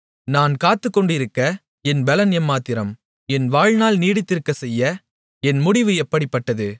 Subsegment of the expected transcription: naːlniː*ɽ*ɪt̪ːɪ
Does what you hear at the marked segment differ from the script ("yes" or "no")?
no